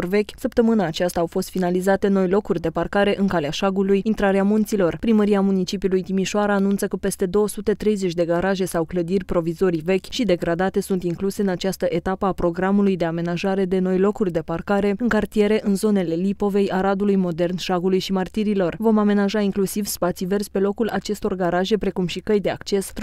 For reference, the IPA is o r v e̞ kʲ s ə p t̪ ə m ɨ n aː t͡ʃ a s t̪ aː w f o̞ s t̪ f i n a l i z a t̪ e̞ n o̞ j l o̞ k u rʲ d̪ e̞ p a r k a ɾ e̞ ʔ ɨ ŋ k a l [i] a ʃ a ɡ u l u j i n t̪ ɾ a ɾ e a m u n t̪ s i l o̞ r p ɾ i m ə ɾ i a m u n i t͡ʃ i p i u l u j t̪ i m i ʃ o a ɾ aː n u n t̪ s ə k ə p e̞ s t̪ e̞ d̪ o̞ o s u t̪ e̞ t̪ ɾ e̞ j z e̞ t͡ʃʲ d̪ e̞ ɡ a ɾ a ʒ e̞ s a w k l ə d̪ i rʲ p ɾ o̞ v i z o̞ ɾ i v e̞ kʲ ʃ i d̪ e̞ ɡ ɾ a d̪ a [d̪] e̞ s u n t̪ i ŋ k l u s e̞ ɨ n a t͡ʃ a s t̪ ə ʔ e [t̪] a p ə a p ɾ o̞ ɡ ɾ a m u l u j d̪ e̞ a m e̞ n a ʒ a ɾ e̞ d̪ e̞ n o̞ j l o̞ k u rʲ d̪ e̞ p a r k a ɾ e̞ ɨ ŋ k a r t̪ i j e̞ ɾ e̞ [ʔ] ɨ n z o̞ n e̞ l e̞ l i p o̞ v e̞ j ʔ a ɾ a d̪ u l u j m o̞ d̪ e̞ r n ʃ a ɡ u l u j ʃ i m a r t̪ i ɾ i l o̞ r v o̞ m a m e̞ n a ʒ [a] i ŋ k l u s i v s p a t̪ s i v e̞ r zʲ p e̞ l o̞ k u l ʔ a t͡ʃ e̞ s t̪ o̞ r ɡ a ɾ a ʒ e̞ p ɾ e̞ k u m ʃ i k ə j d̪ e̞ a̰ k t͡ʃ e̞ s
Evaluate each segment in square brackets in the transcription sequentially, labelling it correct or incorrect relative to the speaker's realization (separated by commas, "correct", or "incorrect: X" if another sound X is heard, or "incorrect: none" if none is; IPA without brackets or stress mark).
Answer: incorrect: e, incorrect: t̪, correct, correct, correct